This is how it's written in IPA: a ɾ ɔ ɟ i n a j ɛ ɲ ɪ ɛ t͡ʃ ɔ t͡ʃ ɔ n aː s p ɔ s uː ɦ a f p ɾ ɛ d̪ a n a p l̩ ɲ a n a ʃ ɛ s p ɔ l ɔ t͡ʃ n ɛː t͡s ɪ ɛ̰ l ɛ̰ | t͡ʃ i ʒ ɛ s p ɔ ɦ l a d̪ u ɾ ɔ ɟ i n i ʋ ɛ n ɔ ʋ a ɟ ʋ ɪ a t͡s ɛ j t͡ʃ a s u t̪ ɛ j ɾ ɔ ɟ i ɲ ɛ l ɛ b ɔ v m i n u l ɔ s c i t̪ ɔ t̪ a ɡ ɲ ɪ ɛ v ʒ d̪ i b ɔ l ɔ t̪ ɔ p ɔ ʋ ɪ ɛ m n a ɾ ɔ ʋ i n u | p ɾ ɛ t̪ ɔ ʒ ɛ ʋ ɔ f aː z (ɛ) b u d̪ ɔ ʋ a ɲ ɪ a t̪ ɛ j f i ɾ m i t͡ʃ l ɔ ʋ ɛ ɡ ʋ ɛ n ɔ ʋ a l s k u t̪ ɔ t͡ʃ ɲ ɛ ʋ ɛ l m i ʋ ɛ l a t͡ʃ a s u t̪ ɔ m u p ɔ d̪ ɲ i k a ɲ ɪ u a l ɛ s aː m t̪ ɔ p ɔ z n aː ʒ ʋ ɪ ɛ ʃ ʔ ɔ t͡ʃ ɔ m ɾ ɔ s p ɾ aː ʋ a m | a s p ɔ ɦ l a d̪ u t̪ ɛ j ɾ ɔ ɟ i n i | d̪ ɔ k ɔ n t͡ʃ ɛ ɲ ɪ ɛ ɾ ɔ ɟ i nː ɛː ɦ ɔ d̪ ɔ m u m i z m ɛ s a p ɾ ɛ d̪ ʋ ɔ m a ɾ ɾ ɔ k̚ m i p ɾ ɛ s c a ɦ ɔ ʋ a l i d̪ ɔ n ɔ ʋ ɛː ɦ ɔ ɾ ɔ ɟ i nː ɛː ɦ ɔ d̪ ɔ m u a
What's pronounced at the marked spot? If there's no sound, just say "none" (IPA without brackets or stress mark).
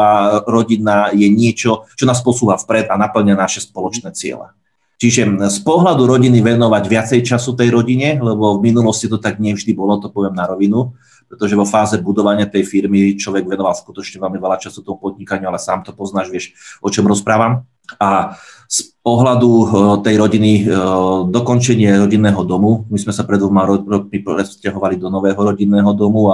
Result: ɛ